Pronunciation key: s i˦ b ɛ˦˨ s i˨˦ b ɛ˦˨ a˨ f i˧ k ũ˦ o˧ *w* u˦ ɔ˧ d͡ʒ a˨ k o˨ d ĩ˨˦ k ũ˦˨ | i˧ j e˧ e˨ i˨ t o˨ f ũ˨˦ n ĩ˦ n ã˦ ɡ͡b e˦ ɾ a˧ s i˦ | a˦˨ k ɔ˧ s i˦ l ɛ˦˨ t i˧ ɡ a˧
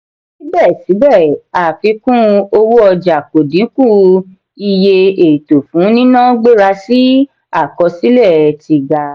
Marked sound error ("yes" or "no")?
no